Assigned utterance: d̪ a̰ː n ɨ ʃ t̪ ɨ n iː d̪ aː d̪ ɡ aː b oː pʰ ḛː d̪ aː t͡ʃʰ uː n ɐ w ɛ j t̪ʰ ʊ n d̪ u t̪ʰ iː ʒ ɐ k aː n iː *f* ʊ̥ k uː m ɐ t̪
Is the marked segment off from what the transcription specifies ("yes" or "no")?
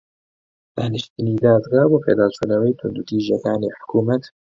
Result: yes